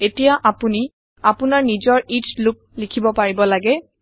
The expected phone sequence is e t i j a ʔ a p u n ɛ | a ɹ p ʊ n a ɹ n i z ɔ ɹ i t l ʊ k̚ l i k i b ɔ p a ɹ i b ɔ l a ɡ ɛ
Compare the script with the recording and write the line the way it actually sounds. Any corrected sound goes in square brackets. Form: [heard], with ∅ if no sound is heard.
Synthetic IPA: e t i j a ʔ a p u n [i] | a [∅] p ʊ n a ɹ n i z ɔ ɹ i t l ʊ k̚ l i [kʰ] i b ɔ p a ɹ i b ɔ l a ɡ ɛ